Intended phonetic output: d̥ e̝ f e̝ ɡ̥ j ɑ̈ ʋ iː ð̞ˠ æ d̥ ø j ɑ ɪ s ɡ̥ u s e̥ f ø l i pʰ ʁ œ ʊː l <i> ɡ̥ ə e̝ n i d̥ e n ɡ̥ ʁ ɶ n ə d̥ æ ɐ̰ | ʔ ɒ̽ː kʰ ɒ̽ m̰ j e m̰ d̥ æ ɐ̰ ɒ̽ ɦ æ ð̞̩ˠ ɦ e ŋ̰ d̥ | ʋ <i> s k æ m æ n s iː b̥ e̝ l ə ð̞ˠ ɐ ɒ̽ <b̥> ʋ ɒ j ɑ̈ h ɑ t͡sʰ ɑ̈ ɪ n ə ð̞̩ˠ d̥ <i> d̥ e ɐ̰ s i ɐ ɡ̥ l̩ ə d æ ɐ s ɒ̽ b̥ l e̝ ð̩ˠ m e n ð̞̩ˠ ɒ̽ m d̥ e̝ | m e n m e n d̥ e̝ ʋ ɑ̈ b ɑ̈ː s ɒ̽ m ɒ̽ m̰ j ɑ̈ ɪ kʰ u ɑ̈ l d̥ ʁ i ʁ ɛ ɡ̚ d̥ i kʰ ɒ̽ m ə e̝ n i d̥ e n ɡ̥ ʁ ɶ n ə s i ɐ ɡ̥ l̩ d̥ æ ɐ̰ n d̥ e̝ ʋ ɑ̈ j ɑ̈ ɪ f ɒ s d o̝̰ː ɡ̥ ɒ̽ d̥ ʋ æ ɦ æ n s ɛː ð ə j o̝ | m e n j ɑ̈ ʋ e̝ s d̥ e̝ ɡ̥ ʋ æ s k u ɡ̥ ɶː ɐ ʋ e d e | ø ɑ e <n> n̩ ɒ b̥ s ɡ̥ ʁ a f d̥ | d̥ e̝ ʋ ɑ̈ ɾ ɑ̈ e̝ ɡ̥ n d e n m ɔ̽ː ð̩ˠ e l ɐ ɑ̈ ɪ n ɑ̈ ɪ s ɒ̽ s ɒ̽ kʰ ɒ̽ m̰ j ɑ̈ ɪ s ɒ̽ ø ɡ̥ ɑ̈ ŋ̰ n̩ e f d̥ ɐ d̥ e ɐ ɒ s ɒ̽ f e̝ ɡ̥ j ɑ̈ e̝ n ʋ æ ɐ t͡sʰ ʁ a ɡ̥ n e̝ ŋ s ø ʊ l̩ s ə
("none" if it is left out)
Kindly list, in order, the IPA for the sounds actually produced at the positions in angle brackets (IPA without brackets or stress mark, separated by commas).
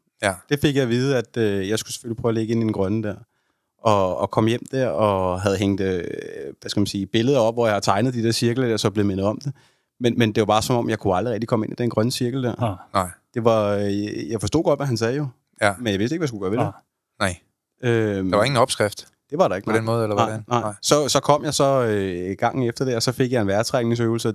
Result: e, æ, b̥, i, ŋ